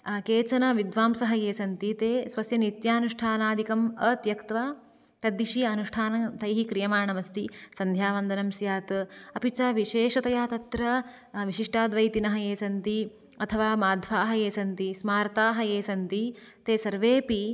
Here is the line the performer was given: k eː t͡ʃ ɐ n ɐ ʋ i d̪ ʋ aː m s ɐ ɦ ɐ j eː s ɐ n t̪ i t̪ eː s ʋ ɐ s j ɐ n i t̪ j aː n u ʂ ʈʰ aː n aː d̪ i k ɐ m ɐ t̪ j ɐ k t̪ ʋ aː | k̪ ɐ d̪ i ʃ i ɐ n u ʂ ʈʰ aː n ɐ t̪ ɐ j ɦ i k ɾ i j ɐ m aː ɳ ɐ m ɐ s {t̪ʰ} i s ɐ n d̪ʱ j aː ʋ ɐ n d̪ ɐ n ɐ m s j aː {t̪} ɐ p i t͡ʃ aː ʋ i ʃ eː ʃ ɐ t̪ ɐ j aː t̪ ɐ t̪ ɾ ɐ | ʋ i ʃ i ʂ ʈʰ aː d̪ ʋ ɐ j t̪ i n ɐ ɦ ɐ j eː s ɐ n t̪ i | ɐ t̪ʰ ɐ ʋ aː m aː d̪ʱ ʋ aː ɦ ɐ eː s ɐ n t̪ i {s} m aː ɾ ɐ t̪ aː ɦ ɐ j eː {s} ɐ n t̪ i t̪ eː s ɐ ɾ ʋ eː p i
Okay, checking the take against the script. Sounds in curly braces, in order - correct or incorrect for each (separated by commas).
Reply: incorrect, correct, correct, correct